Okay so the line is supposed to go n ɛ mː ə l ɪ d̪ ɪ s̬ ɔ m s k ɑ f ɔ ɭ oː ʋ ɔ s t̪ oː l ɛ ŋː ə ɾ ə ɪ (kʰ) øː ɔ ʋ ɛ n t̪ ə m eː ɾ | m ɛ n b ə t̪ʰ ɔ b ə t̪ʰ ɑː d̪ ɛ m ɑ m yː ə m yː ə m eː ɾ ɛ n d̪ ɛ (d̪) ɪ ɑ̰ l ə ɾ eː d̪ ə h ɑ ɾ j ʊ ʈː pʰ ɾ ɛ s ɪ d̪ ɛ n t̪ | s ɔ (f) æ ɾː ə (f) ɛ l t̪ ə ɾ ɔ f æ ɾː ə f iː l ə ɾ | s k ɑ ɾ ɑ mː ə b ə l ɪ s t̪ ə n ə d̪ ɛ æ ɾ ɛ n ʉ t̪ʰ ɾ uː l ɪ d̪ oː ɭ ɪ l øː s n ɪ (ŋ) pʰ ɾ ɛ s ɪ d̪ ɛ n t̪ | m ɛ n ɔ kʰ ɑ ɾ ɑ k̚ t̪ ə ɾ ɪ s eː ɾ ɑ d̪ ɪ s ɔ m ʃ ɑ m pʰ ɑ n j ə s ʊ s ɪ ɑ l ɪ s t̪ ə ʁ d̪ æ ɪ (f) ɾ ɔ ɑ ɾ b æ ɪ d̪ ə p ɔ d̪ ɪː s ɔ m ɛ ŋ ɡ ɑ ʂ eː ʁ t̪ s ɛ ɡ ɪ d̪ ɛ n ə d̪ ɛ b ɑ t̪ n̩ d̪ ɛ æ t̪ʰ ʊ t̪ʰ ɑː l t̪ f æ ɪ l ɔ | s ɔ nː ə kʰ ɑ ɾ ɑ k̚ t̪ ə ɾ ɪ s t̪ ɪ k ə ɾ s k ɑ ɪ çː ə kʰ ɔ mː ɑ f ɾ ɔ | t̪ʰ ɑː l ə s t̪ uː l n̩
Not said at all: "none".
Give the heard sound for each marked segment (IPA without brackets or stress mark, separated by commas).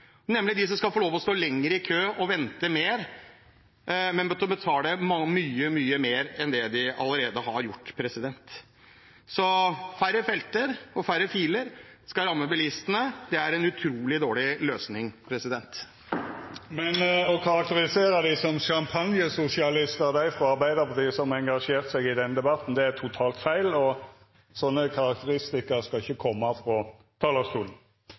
kʰ, d̪, f, f, ŋ, f